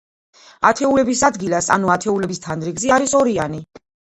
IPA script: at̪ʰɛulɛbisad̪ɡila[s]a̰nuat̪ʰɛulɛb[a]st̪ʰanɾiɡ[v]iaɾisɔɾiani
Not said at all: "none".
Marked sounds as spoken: s, i, z

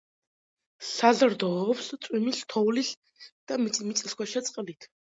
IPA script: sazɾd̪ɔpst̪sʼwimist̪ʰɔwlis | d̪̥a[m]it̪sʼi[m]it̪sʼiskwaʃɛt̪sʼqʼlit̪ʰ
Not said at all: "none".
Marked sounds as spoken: m, m

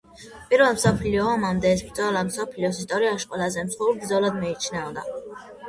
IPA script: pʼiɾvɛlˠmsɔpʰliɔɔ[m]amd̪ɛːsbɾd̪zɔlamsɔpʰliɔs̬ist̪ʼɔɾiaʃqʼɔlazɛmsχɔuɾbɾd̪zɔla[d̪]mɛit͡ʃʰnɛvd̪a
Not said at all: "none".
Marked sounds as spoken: m, d̪

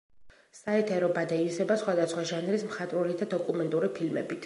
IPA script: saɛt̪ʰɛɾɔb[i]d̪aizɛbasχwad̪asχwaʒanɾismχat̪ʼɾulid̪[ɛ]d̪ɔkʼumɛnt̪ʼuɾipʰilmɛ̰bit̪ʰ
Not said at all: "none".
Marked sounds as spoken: a, a

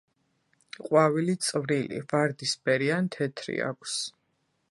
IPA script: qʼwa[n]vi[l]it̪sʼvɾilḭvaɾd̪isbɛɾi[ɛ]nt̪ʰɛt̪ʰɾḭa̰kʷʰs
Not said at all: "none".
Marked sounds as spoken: none, l, a

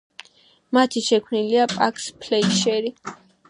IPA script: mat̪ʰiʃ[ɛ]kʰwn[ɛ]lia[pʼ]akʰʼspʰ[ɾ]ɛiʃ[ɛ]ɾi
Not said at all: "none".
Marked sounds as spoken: ɛ, i, pʼ, l, ɛ

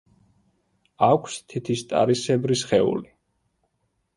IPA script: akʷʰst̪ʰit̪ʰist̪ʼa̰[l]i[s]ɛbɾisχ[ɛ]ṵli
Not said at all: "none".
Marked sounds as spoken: ɾ, s, ɛ

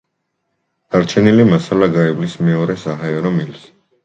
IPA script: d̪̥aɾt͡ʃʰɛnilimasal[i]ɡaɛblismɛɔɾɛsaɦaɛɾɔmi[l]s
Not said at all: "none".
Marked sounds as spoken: a, l

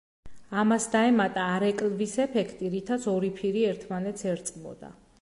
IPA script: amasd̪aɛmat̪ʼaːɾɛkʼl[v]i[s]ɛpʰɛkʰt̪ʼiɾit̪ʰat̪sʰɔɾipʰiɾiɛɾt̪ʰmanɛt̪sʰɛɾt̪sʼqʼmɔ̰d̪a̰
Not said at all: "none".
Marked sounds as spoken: v, s

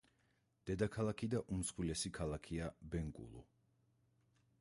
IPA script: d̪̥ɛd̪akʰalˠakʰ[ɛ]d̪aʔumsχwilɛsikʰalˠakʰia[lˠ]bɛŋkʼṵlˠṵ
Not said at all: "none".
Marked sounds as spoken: i, none

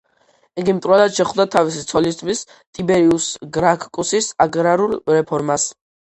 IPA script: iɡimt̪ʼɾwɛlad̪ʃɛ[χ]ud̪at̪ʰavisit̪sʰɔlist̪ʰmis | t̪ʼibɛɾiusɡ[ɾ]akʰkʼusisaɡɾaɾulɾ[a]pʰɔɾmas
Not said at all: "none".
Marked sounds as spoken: χ, ɾ, ɛ

